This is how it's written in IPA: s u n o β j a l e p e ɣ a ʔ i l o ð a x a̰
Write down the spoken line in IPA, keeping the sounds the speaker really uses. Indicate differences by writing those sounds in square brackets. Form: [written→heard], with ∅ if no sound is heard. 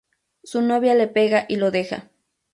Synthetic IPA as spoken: s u n o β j a l e p e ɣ a ʔ i l o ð [a→e] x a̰